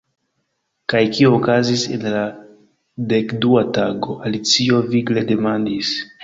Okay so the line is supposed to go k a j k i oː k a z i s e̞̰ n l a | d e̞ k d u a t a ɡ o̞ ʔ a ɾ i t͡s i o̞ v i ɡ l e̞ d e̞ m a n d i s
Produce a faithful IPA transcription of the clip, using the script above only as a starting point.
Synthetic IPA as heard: k a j k i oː k a z i s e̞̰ n l a | d e̞ k d u a t a ɡ o̞ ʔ a l i t͡s i o̞ v i ɡ l e̞ d e̞ m a n d i s